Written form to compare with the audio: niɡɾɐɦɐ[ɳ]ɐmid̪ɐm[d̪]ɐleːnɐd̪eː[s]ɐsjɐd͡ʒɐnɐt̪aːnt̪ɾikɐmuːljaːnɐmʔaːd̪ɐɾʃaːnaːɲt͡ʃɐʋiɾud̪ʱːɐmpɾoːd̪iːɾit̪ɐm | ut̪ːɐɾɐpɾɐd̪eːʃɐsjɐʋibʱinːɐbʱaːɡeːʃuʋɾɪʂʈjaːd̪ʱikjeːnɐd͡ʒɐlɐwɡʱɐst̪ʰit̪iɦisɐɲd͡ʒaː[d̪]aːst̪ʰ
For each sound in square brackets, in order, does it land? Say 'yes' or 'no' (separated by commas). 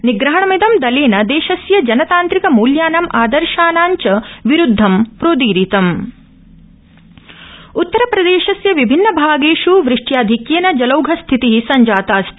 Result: yes, yes, no, no